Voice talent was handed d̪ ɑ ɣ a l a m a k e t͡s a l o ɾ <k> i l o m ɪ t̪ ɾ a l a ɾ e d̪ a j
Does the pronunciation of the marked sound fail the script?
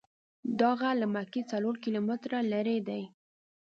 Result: no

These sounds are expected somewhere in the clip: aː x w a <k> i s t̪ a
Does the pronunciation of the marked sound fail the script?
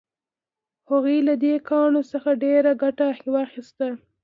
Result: yes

